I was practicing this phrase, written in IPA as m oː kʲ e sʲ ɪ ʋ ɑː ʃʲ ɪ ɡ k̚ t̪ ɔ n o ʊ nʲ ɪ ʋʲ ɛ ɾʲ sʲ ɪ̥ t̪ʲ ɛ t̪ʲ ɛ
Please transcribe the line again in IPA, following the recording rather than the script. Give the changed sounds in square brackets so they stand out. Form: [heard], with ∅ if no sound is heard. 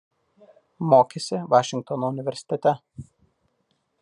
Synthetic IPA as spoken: m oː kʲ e sʲ ɪ ʋ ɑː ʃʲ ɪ [ŋ] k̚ t̪ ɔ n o ʊ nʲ ɪ ʋʲ ɛ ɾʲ sʲ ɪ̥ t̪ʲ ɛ t̪ʲ ɛ